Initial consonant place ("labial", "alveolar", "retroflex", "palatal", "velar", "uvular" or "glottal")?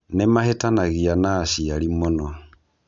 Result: alveolar